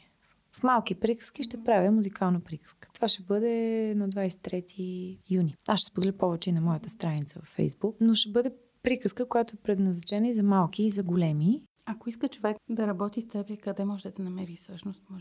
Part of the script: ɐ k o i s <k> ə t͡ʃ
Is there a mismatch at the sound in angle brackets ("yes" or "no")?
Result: no